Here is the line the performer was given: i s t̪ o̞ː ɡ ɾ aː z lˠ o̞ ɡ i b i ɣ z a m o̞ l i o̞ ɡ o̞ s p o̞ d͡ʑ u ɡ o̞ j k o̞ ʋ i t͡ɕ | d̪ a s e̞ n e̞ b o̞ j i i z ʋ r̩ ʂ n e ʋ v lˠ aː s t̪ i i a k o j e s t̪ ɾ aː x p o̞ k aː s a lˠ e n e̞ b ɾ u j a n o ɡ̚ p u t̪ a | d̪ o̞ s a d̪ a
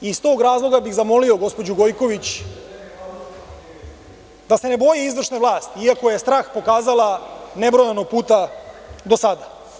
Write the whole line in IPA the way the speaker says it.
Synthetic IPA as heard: i s t̪ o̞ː ɡ ɾ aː z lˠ o̞ ɡ a b i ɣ z a m o̞ l i o̞ ɡ o̞ s p o̞ d͡ʑ u ɡ o̞ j k o̞ ʋ i t͡ɕ | d̪ a s e̞ n e̞ b o̞ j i i z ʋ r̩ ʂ n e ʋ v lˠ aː s t̪ i i a k o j e s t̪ ɾ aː x p o̞ k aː z a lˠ a n e̞ b ɾ o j a n o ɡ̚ p uː t̪ a | d̪ o̞ s a d̪ a